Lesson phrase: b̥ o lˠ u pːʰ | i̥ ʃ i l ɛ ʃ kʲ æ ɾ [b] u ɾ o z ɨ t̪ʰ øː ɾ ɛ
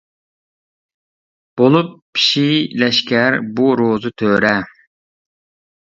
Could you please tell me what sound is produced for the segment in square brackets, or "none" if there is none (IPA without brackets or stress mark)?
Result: b